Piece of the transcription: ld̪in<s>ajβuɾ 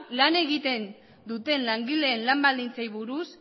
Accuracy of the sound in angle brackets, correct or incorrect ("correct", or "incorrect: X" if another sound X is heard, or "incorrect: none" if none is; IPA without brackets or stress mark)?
incorrect: t͡s